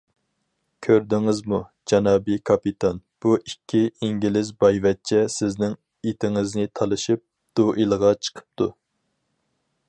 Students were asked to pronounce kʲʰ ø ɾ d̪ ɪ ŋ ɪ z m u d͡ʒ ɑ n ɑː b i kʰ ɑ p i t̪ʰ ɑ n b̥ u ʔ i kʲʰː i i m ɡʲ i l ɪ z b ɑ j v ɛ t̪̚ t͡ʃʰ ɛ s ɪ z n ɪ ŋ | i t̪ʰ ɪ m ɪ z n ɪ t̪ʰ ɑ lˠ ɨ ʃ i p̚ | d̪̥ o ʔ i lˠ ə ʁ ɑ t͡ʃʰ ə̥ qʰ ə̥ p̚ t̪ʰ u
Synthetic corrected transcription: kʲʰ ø ɾ d̪ ɪ ŋ ɪ z m u d͡ʒ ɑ n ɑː b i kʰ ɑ p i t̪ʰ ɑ n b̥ u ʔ i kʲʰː i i ŋ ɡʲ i l ɪ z b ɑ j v ɛ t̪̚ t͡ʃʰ ɛ s ɪ z n ɪ ŋ | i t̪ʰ ɪ ŋ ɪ z n ɪ t̪ʰ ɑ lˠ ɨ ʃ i p̚ | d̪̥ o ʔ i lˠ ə ʁ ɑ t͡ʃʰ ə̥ qʰ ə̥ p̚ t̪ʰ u

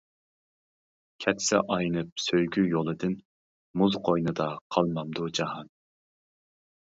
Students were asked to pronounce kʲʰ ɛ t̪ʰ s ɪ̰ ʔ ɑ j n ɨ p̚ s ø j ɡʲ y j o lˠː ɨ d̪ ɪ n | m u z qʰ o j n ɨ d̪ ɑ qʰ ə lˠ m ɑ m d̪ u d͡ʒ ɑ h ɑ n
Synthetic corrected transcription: kʲʰ ɛ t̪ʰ s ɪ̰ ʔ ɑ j n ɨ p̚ s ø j ɡʲ y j o lˠ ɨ d̪ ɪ n | m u z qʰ o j n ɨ d̪ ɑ qʰ ɑ lˠ m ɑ m d̪ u d͡ʒ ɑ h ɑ n

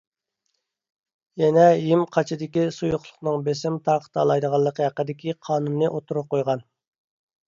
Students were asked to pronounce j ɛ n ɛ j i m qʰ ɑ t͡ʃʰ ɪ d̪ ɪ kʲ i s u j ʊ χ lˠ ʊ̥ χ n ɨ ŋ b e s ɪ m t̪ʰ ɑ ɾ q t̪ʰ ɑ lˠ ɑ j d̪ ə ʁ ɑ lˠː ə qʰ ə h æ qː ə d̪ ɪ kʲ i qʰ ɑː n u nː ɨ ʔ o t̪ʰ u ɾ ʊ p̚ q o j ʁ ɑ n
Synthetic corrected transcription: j ɛ n ɛ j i m qʰ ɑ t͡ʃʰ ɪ d̪ ɪ kʲ i s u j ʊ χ lˠ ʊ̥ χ n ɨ ŋ b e s ɪ m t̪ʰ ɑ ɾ q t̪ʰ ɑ lˠ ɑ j d̪ ə ʁ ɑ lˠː ə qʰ ə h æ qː ə d̪ ɪ kʲ i qʰ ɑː n u nː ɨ ʔ o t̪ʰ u ɾ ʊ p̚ q o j ʁ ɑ n

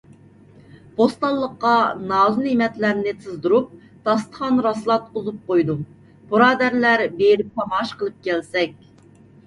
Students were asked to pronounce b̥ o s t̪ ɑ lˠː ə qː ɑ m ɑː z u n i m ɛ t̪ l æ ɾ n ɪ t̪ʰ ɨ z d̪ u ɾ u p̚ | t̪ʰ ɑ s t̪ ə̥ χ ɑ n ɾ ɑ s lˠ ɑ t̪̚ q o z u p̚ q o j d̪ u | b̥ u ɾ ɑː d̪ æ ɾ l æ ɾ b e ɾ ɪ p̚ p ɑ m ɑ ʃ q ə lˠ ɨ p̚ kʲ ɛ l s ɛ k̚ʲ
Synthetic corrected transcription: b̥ o s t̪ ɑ lˠː ə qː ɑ n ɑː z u n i m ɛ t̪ l æ ɾ n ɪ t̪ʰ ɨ z d̪ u ɾ u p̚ | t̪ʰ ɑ s t̪ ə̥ χ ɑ n ɾ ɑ s lˠ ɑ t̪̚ q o z u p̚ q o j d̪ u | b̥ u ɾ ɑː d̪ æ ɾ l æ ɾ b e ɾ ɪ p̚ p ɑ m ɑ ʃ q ə lˠ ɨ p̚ kʲ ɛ l s ɛ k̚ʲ

